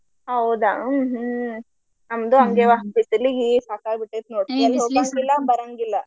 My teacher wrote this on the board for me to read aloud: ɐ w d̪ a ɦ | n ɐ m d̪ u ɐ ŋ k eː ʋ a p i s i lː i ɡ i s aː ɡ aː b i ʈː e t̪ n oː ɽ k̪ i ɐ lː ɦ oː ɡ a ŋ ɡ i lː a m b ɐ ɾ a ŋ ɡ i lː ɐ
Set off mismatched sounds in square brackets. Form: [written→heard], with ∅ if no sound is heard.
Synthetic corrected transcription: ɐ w d̪ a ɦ | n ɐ m d̪ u ɐ ŋ [k→ɡ] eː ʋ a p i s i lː i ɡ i s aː [ɡ→k] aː b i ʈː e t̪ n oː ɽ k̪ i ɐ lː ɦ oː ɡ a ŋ ɡ i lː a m b ɐ ɾ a ŋ ɡ i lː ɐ